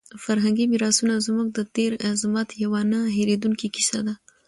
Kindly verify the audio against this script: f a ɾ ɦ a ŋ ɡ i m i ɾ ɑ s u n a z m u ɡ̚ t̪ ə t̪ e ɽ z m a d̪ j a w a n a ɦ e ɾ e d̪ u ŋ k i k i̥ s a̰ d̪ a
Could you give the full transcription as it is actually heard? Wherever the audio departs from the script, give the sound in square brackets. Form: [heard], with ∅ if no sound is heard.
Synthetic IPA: f a ɾ ɦ a ŋ ɡ i m i ɾ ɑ s u n a z m u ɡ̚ [d̪] ə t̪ e [ɾ] z m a [t̪] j a w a n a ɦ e ɾ e d̪ u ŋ k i k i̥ s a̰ d̪ a